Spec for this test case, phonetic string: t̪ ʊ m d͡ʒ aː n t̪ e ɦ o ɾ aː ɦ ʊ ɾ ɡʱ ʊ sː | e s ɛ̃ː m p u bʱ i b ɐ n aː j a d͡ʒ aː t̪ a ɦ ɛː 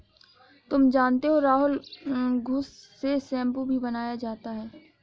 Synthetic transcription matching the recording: t̪ ʊ m d͡ʒ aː n t̪ e ɦ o ɾ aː ɦ ʊ l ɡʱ ʊ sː | e s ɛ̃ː m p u bʱ i b ɐ n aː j a d͡ʒ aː t̪ a ɦ ɛː